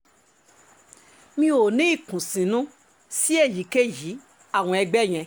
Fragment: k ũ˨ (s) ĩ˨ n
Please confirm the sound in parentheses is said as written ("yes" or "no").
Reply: yes